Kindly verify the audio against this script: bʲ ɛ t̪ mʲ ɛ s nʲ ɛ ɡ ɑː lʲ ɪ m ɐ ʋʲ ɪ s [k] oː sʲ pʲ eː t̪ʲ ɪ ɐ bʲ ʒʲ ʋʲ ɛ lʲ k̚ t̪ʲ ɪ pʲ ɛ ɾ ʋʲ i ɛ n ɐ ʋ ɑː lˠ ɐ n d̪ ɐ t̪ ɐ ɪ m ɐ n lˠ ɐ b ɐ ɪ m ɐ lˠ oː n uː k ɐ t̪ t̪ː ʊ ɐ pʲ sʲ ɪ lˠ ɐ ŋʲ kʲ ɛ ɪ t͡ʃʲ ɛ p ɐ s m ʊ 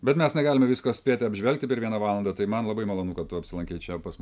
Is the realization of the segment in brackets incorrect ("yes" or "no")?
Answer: no